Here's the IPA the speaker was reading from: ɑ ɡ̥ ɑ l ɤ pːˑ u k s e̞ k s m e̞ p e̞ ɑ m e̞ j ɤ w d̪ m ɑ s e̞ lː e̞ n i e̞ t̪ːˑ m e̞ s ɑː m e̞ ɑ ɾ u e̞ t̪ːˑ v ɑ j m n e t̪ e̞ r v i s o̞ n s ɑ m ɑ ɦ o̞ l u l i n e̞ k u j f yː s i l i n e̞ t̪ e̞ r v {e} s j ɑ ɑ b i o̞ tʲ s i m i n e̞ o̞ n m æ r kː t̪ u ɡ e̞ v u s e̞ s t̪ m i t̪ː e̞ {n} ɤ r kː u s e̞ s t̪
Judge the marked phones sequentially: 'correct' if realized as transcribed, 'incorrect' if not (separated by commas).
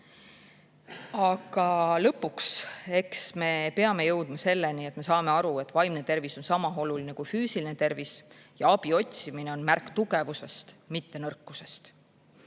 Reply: incorrect, correct